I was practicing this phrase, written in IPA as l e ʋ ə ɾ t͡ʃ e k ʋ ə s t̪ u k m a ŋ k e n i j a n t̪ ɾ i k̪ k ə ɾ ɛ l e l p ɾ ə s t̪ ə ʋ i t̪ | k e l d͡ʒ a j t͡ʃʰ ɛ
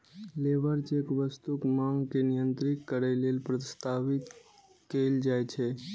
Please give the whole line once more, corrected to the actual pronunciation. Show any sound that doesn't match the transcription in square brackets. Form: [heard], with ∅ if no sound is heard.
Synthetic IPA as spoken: l e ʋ ə ɾ t͡ʃ e k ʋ ə s t̪ u k m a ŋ k e n i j [ə] n t̪ ɾ i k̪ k ə ɾ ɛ l e l p ɾ ə s t̪ [a] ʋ i t̪ | k e l d͡ʒ a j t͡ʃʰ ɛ